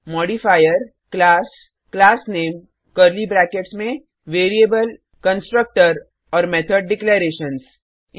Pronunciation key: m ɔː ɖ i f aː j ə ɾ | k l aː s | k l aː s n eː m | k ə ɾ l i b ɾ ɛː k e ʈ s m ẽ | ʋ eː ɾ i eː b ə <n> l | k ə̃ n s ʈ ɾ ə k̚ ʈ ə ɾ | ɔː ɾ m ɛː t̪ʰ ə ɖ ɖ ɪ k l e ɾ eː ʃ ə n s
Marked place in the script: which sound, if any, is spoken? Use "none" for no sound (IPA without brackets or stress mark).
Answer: none